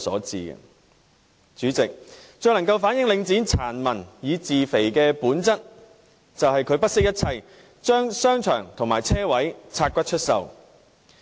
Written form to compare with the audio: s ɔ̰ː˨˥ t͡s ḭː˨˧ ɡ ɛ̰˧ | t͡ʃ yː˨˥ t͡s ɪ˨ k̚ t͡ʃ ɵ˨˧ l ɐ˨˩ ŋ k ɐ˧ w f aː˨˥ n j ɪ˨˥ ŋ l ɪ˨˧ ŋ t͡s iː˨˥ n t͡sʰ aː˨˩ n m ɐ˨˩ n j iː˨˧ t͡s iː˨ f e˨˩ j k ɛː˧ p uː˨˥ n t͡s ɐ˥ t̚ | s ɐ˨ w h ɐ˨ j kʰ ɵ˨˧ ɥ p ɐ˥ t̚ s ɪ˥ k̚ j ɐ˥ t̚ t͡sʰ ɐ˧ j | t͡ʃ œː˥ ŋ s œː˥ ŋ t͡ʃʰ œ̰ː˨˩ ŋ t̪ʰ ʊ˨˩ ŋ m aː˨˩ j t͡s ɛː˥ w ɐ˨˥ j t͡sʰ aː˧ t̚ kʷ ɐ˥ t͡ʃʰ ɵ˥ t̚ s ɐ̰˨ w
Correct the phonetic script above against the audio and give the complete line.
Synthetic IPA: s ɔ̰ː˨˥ t͡s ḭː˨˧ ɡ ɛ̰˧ | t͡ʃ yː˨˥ t͡s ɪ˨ k̚ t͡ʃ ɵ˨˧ l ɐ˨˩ ŋ k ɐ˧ w f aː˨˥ n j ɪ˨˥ ŋ l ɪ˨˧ ŋ t͡s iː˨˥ n t͡sʰ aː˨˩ n m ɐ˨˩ n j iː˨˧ t͡s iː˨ f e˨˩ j k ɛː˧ p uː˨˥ n t͡s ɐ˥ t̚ | t͡s ɐ˨ w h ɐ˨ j kʰ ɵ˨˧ ɥ p ɐ˥ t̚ s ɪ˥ k̚ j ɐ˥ t̚ t͡sʰ ɐ˧ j | t͡ʃ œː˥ ŋ s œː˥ ŋ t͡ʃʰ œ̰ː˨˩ ŋ t̪ʰ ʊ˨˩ ŋ m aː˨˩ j t͡sʰ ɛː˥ w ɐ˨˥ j t͡sʰ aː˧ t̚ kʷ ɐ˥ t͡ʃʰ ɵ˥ t̚ s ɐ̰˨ w

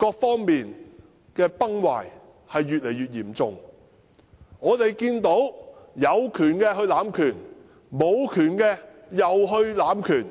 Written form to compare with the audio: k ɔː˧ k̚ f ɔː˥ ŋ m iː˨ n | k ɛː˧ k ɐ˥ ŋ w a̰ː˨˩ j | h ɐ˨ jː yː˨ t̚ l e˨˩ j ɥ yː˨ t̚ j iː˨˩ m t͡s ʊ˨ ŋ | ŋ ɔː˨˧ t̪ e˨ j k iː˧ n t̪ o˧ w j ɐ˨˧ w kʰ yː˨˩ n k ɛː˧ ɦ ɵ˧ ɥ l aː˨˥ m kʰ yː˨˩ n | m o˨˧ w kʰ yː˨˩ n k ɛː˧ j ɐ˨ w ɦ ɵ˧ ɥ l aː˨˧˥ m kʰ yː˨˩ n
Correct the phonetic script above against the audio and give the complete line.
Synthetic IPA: k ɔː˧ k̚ f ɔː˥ ŋ m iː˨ n | k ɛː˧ p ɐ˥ ŋ w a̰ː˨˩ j | h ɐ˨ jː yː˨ t̚ l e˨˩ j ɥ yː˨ t̚ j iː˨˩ m t͡s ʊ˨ ŋ | ŋ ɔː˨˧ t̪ e˨ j k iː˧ n t̪ o˨˥ w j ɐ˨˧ w kʰ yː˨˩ n k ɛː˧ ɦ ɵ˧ ɥ l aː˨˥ m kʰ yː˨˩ n | m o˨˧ w kʰ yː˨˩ n k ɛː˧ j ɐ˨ w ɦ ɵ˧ ɥ l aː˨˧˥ m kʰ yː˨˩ n

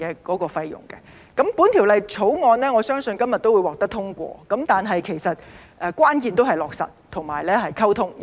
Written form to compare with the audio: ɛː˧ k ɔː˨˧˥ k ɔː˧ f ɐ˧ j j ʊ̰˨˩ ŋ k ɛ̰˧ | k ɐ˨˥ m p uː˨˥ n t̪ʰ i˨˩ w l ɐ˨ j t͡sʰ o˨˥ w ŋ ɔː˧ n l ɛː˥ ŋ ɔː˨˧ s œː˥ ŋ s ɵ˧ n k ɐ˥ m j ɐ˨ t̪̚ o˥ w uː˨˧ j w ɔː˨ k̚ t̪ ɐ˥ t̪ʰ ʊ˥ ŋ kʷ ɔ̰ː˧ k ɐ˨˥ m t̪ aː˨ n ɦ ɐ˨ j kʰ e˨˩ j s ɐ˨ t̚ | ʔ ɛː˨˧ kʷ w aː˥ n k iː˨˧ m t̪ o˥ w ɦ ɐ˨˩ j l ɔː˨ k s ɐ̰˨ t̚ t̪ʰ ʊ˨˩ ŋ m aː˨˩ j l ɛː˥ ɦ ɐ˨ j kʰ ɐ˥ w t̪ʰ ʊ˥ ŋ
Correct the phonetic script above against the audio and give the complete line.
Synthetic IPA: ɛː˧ k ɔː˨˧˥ k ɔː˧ f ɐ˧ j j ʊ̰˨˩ ŋ k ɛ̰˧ | k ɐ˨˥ m p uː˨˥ n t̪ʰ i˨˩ w l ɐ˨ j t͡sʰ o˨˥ w ŋ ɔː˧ n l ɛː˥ ŋ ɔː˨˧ s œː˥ ŋ s ɵ˧ n k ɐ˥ m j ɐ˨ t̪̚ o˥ w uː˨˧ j w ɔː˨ k̚ t̪ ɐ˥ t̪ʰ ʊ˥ ŋ kʷ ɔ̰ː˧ k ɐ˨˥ m t̪ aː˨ n ɦ ɐ˨ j kʰ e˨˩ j s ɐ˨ t̚ | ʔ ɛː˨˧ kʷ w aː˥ n k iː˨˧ n t̪ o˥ w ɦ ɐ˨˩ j l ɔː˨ k s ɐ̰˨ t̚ t̪ʰ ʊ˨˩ ŋ m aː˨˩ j l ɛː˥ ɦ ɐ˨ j kʰ ɐ˥ w t̪ʰ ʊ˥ ŋ

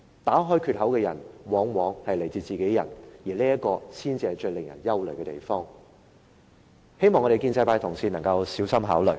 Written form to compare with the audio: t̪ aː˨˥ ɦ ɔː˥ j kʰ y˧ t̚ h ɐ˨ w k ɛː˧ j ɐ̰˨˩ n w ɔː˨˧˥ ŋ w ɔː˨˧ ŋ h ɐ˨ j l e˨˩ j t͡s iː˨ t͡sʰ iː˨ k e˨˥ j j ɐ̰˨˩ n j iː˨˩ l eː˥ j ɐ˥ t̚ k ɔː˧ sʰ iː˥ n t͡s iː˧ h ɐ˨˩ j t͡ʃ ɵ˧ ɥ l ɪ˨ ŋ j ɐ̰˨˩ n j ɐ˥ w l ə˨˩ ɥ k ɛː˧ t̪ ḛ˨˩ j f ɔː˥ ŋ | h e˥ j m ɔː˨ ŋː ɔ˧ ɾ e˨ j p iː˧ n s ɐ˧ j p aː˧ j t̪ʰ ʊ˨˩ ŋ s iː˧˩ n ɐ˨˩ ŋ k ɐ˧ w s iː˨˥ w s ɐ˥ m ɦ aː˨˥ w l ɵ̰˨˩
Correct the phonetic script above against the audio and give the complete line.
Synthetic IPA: t̪ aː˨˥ ɦ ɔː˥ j kʰ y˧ t̚ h ɐ˨˥ w k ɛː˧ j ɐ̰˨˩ n w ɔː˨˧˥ ŋ w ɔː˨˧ ŋ h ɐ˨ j l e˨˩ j t͡s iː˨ t͡s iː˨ k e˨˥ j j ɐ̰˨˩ n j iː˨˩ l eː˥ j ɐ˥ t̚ k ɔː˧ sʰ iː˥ n t͡s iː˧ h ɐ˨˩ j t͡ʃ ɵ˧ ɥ l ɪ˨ ŋ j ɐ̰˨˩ n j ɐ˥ w l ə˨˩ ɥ k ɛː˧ t̪ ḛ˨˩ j f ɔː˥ ŋ | h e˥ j m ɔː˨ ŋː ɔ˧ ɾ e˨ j k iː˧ n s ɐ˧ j p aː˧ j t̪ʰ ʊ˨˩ ŋ s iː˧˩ n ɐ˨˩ ŋ k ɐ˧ w s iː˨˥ w s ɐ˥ m ɦ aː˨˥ w l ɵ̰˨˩

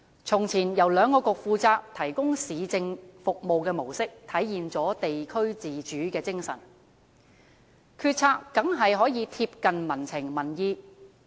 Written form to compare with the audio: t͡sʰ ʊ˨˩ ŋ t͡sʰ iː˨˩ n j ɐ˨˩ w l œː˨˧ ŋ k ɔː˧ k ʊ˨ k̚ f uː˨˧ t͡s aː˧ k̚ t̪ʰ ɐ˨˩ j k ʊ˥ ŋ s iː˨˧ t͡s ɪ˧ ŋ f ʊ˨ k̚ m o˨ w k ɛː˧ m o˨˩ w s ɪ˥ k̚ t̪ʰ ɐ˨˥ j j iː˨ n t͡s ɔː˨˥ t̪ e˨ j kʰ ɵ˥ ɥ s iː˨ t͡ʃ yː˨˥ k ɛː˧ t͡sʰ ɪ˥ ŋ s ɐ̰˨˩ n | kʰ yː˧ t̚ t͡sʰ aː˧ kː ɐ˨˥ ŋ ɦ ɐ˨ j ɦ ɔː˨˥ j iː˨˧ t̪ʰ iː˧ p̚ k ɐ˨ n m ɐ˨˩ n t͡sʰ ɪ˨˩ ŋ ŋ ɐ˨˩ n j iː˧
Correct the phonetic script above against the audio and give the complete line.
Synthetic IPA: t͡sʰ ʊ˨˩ ŋ t͡sʰ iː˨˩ n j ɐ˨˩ w l œː˨˧ ŋ k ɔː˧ k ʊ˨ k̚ f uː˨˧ t͡s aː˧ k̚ t̪ʰ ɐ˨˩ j k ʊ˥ ŋ s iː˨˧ t͡s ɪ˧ ŋ f ʊ˨ k̚ m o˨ w k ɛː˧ m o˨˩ w s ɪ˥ k̚ t̪ʰ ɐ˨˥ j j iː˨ n t͡s ɔː˨˥ t̪ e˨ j kʰ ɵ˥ ɥ t͡s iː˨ t͡ʃ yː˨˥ k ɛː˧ t͡s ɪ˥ ŋ s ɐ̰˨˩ n | kʰ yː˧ t̚ t͡sʰ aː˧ kː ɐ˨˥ ŋ ɦ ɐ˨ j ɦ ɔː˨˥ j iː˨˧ t̪ʰ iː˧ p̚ k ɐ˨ n m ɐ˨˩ n t͡sʰ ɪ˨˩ ŋ m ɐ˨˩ n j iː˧

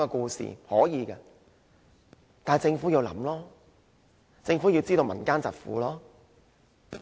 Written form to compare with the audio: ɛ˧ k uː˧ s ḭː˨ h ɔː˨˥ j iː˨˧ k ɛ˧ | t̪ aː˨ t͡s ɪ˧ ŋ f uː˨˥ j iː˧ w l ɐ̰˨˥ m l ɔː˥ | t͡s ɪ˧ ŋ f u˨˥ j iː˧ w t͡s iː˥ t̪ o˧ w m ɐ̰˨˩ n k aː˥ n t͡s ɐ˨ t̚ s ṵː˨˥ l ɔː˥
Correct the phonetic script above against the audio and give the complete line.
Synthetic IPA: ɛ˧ k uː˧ s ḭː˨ h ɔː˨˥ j iː˨˧ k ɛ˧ | t̪ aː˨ t͡s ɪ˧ ŋ f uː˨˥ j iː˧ w l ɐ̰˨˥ m l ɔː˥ | t͡s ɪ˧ ŋ f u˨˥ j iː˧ w t͡s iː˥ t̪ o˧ w m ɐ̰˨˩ n k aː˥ n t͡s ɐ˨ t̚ f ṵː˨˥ l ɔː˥

